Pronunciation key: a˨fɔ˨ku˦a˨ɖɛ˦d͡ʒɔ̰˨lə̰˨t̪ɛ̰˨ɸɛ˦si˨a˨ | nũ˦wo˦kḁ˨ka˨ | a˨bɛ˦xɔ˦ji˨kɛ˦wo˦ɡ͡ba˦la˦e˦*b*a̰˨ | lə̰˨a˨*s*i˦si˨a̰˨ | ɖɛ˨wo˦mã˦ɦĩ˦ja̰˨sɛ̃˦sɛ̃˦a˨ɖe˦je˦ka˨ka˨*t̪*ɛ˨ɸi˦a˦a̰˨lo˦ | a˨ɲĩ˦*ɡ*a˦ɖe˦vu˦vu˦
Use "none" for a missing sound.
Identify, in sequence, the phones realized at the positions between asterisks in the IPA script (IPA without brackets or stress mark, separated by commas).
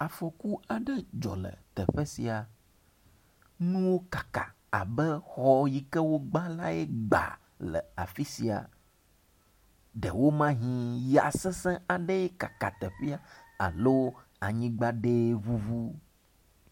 ɡ͡b, f, t̪, ɡ͡b